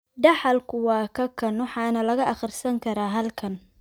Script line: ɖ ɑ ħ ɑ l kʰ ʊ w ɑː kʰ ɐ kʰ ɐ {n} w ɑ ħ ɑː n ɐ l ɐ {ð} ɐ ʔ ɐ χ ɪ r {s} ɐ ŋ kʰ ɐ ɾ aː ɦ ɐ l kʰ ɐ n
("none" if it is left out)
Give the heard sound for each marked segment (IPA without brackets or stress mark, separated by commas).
n, ɣ, s